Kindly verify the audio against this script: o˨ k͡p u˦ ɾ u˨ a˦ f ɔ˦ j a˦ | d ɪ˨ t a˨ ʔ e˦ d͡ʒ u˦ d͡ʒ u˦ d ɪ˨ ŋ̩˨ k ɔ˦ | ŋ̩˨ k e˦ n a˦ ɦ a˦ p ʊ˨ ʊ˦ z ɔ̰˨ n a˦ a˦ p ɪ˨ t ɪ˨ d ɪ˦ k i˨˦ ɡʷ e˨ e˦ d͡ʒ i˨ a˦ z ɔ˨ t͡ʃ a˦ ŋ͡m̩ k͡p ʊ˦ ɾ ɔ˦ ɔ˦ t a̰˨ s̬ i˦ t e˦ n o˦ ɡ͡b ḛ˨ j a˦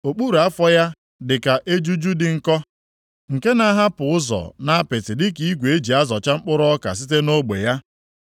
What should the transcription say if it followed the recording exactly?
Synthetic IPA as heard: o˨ k͡p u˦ ɾ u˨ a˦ f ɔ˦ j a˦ | d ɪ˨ k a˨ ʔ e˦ d͡ʒ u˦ d͡ʒ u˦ d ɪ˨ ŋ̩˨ k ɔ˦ | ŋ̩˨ k e˦ n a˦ ɦ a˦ p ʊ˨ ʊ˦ z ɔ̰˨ n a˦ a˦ p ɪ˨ t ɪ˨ d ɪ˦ k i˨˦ ɡʷ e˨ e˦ d͡ʒ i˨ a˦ z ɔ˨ t͡ʃ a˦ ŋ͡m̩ k͡p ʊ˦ ɾ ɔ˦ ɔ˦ k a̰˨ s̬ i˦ t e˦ n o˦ ɡ͡b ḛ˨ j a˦